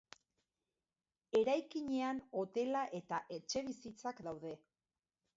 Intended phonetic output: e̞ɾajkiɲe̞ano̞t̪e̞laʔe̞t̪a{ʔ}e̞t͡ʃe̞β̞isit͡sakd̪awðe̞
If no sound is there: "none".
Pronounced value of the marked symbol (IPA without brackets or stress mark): ʔ